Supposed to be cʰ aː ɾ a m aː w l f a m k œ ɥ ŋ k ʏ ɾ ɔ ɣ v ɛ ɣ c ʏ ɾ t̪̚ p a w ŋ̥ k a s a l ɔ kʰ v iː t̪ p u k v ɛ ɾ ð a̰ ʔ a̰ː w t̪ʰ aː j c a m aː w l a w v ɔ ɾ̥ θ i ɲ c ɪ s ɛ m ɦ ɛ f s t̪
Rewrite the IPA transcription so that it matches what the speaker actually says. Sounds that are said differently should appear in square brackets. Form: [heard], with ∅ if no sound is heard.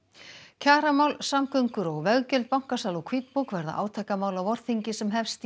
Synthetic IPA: cʰ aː ɾ a m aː w l [s] a m k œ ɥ ŋ k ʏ ɾ ɔ ɣ v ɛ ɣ c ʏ [l] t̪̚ p a w ŋ̥ k a s a l ɔ kʰ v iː t̪ p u k v ɛ ɾ ð a̰ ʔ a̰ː w t̪ʰ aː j [k] a m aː w l a w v ɔ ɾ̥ θ i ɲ c ɪ s ɛ m ɦ ɛ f s t̪